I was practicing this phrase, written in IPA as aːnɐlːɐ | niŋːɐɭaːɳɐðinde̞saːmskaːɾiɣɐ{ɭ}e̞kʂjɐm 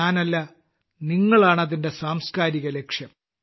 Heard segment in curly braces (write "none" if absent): l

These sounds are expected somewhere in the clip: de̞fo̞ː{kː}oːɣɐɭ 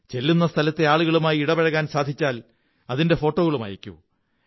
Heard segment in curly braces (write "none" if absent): ʈː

